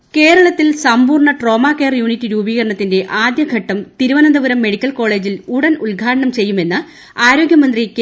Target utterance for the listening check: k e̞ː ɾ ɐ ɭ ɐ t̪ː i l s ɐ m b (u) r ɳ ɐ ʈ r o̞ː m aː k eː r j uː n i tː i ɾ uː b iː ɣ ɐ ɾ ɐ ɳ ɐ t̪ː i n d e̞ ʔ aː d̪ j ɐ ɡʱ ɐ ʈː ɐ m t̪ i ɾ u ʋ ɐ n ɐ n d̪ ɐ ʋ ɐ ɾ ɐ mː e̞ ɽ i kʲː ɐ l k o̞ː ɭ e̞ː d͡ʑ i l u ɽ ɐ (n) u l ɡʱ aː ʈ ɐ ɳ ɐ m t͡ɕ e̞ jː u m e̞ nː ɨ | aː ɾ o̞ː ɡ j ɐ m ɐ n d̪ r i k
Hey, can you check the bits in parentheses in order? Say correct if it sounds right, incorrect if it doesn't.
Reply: incorrect: uː, correct

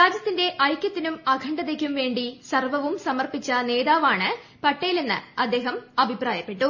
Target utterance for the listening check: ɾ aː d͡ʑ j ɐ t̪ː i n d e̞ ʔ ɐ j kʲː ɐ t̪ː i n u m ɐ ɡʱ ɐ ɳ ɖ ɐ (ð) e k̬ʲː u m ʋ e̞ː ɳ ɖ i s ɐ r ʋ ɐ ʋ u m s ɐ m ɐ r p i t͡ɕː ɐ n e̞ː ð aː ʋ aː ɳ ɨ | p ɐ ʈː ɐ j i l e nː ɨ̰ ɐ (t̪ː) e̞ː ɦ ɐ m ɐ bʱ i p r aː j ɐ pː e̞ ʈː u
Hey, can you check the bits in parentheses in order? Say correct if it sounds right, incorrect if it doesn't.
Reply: correct, incorrect: d̪ː

